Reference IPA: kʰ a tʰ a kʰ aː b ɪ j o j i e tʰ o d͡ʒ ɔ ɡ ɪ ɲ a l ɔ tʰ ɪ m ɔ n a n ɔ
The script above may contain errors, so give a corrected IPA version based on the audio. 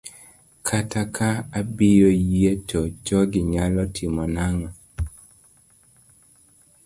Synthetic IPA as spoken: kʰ a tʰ a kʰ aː b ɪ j o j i e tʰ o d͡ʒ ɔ ɡ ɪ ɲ a l ɔ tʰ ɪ m ɔ n a ŋ ɔ